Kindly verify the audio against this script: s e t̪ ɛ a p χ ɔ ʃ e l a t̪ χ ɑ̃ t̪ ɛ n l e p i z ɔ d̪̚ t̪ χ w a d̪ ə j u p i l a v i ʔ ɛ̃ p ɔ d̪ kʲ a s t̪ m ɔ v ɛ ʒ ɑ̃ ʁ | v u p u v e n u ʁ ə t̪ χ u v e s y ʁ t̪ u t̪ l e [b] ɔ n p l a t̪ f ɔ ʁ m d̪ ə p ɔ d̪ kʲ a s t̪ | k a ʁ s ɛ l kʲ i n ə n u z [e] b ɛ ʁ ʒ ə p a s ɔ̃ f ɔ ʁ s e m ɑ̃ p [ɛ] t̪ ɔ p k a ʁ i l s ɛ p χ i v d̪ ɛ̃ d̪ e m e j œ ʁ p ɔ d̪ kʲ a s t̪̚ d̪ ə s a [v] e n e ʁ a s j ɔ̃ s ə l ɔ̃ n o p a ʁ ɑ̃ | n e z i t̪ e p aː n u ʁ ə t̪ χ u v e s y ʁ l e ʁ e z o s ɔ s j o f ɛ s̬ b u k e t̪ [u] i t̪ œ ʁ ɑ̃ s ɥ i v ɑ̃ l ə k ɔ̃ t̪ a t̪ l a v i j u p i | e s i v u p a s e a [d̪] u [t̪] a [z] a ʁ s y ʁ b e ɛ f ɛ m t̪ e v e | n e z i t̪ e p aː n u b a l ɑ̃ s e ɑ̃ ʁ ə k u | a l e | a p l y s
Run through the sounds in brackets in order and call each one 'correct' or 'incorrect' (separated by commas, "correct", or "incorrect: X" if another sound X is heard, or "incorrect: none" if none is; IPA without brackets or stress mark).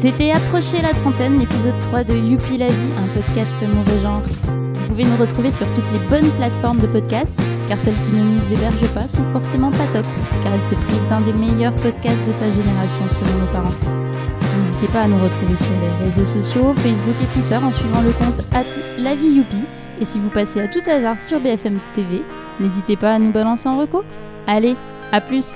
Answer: correct, correct, incorrect: a, incorrect: ʒ, incorrect: w, incorrect: t̪, correct, correct